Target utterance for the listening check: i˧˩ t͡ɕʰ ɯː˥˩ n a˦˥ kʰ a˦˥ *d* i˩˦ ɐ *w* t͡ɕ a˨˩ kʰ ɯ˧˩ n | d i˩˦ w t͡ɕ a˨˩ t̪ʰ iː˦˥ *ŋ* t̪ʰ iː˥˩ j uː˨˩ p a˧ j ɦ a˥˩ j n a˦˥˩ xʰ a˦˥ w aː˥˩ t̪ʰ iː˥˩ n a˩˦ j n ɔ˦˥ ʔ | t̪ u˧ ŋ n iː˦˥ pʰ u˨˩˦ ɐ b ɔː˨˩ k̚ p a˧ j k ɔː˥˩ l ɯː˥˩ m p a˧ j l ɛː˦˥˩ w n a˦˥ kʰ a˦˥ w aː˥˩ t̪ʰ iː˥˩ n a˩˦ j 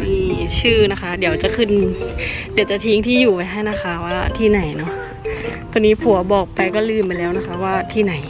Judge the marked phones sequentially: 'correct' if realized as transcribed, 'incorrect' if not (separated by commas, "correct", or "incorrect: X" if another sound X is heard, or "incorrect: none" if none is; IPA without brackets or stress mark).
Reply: correct, correct, correct